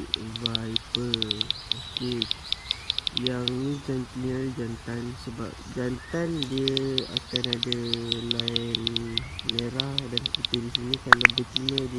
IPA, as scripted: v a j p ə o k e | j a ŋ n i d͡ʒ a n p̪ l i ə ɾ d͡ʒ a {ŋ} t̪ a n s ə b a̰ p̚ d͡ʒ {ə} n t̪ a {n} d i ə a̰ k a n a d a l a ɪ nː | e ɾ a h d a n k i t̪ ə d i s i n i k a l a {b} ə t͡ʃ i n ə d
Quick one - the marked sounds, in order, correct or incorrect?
incorrect, incorrect, correct, correct

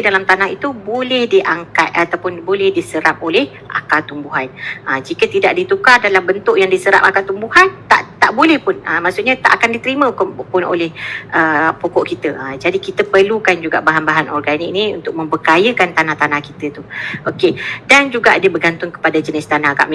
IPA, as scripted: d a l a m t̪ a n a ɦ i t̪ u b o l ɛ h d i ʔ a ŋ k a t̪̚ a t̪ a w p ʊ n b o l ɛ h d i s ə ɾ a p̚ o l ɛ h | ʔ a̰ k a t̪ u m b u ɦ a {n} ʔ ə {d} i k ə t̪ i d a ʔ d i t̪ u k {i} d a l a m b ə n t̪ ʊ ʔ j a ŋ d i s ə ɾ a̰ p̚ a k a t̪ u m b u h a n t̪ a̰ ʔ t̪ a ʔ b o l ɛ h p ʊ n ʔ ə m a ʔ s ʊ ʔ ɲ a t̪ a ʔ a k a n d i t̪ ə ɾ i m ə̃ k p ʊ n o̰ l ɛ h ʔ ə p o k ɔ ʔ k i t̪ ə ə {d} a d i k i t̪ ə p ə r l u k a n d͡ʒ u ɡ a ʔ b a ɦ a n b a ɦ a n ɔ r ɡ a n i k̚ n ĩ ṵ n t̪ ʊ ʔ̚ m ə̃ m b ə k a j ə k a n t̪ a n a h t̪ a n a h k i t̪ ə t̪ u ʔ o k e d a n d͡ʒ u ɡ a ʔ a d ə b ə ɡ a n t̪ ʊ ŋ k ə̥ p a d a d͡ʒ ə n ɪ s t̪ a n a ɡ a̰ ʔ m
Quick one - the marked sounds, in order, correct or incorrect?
correct, incorrect, incorrect, incorrect

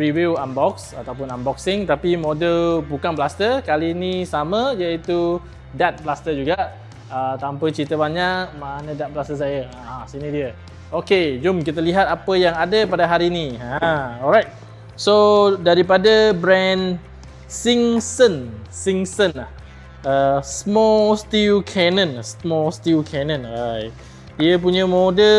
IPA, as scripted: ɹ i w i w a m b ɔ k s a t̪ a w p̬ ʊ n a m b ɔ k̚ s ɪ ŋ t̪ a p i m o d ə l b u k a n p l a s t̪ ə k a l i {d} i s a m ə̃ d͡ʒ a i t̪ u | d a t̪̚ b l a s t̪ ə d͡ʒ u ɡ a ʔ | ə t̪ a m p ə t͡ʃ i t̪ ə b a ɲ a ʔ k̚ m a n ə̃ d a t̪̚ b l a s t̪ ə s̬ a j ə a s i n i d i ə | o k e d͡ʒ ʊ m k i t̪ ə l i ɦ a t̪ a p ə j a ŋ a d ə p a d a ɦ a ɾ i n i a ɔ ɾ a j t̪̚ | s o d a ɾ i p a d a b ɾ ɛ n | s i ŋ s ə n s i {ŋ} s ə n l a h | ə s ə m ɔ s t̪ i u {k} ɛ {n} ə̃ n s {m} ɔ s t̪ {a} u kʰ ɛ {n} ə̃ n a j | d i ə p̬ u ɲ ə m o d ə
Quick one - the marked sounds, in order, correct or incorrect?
incorrect, correct, incorrect, correct, correct, incorrect, correct

